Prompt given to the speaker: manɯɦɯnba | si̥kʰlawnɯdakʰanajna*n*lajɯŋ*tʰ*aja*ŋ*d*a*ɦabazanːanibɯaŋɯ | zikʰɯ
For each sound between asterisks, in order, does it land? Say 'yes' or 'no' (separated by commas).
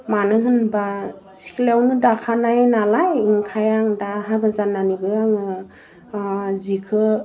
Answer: no, no, yes, yes